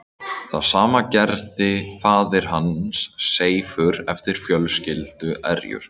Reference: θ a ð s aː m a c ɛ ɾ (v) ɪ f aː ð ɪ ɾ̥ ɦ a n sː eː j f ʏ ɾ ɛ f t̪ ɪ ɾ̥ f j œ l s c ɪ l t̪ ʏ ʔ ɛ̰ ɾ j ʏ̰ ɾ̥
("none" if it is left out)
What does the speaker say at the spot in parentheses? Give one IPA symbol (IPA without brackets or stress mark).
ð